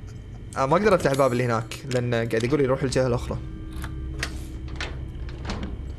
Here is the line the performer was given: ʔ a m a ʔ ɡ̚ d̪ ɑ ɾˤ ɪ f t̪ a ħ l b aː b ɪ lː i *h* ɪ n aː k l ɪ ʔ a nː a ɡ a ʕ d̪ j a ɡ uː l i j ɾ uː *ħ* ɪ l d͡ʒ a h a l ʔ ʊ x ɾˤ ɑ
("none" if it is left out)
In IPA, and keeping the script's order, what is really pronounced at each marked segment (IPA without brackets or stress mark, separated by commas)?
h, ħ